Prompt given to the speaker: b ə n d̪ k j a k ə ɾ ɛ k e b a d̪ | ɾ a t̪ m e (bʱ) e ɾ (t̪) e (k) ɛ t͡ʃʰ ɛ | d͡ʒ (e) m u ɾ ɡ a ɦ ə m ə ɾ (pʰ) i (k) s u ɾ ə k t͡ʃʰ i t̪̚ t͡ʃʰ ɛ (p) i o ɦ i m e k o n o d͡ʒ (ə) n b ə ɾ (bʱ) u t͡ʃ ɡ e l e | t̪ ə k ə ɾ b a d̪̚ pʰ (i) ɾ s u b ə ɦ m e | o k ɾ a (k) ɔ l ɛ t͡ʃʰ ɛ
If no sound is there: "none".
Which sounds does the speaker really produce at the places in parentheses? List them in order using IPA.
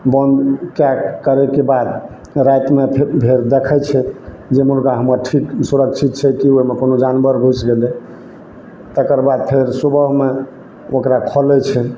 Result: bʱ, d̪, kʰ, e, ʈʰ, k, k, a, ɡʱ, e, kʰ

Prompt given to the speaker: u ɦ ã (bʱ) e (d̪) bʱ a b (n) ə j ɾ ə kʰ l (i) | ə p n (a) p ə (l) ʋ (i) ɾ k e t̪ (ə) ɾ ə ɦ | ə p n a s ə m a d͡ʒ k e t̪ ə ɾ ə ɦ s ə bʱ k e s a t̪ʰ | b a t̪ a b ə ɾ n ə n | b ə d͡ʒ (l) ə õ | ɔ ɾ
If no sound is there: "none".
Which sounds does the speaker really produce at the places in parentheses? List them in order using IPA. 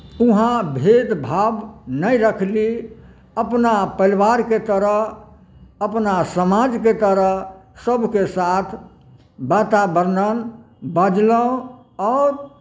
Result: bʱ, d̪, n, i, a, l, a, ə, l

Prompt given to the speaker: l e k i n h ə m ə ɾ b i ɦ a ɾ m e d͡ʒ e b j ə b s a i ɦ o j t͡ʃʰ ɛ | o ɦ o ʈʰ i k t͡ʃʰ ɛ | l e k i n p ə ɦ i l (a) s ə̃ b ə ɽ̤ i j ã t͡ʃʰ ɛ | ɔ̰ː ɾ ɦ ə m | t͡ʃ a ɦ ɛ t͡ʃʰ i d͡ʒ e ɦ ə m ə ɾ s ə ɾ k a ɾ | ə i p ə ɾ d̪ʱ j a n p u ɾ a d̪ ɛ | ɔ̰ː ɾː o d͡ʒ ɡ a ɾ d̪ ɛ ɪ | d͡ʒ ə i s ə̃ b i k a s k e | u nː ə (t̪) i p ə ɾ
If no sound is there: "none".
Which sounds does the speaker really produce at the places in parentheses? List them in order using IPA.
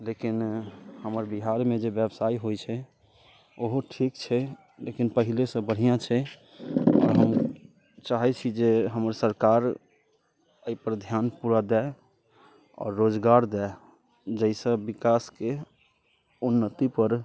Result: e, t̪

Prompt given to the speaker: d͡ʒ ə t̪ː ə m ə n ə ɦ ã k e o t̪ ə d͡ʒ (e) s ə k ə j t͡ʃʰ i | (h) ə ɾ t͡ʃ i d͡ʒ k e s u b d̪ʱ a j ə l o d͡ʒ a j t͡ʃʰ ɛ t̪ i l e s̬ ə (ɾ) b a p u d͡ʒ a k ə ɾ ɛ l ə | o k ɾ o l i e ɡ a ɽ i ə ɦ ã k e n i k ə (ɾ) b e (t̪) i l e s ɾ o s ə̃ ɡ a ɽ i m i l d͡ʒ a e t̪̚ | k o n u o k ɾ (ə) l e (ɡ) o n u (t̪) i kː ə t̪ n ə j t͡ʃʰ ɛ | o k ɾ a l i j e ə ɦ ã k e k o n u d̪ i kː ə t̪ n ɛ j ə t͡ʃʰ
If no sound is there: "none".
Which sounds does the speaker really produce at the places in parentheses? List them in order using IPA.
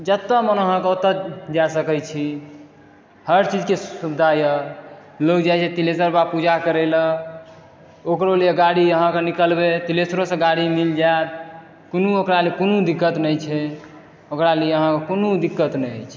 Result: a, h, ɾ, l, t̪, a, k, d̪

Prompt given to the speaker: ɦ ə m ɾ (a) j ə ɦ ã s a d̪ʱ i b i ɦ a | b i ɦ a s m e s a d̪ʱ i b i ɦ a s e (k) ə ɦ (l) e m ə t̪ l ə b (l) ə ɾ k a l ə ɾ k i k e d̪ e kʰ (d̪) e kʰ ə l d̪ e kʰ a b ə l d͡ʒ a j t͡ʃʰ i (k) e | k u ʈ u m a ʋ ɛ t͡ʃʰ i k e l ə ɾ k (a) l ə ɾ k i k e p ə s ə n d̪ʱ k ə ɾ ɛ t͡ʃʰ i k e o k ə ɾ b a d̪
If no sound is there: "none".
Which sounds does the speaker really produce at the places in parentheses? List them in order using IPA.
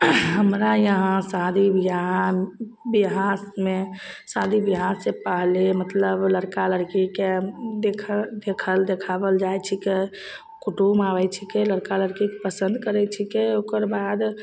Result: a, p, l, l, d̪, k, a

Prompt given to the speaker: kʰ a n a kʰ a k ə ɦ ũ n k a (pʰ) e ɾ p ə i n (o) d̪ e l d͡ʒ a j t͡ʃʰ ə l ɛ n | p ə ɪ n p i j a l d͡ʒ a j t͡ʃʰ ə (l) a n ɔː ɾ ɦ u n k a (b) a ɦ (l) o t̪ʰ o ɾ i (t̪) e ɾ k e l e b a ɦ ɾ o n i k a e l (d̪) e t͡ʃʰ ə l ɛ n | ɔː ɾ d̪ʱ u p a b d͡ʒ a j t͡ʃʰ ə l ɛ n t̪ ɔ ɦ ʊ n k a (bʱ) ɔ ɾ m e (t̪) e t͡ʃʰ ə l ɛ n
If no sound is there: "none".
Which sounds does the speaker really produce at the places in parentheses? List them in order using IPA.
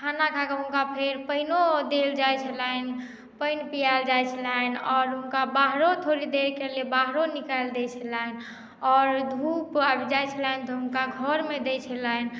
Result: pʰ, o, l, b, ɾ, d̪, d̪, ɡʱ, d̪

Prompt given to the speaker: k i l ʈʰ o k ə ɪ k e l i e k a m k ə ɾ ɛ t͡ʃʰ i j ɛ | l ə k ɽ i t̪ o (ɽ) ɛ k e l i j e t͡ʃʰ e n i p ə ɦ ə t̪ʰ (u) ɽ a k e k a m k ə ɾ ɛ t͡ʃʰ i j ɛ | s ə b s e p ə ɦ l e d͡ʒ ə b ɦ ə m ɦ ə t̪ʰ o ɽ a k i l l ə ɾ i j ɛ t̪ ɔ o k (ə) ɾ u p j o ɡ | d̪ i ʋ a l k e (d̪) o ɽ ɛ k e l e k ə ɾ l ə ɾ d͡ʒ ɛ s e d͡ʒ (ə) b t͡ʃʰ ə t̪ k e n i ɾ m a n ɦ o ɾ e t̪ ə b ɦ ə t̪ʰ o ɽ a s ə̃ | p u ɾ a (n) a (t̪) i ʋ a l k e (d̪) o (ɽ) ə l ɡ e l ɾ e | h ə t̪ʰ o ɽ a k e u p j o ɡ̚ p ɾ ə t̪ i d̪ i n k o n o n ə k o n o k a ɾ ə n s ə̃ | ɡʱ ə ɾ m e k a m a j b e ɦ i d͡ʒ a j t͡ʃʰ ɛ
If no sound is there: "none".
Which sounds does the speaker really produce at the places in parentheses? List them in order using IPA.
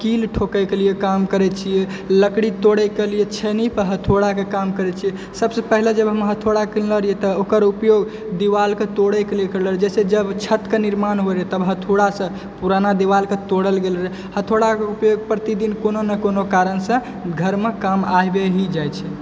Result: ɽ, o, ə, t̪, ə, n, d̪, t̪, ɽ

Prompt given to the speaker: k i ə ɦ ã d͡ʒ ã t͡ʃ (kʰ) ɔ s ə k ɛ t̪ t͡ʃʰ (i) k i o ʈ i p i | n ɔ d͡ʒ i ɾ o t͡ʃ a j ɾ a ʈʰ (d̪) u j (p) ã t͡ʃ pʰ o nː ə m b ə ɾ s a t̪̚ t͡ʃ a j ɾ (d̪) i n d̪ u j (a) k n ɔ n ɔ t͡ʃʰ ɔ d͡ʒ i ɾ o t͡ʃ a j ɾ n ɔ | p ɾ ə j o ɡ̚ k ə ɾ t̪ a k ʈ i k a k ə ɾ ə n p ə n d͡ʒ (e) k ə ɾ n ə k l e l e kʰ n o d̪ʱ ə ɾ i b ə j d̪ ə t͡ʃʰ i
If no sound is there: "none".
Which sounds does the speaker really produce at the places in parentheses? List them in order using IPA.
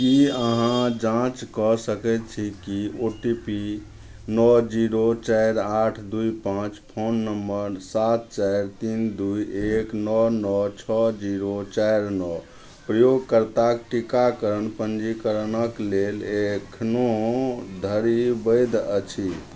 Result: k, i, d̪, p, t̪, e, i

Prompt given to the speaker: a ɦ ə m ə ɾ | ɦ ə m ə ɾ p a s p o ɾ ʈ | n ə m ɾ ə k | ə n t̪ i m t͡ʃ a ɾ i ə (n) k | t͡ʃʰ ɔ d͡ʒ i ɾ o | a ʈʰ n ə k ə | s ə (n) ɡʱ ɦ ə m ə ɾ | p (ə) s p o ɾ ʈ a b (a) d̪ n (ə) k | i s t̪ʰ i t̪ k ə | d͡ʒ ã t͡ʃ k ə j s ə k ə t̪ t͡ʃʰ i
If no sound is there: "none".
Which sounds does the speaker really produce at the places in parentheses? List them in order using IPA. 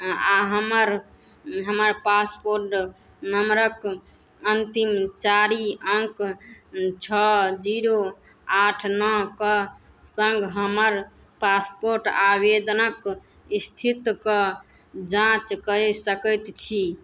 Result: ŋ, ŋ, a, e, ə

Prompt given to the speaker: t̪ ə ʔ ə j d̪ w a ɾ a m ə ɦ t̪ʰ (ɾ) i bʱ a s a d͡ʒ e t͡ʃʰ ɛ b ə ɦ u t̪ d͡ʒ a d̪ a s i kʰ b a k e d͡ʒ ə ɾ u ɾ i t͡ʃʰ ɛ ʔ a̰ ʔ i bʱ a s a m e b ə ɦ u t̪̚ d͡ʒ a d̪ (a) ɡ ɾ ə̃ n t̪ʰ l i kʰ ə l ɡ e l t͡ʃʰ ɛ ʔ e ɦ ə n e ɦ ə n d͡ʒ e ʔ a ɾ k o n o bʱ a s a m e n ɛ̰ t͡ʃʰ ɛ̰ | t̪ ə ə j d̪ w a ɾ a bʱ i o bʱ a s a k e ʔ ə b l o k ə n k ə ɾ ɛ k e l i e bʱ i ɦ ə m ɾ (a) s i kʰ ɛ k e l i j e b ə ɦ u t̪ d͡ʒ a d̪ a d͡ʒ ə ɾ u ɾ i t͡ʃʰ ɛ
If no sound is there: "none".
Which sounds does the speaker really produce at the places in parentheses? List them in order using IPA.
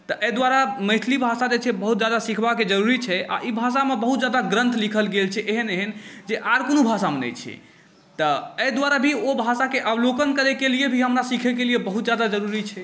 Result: l, a, a

